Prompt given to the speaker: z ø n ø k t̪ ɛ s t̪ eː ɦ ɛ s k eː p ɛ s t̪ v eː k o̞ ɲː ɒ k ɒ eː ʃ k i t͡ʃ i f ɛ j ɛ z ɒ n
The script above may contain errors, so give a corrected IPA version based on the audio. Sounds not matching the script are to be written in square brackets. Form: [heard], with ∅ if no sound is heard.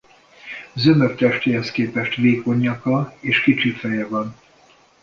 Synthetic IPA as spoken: z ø [m] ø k t̪ ɛ [ʃ] t̪ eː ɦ ɛ s k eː p ɛ [ʃ] t̪ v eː k o̞ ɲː ɒ k ɒ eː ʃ k i t͡ʃ i f ɛ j ɛ [v] ɒ n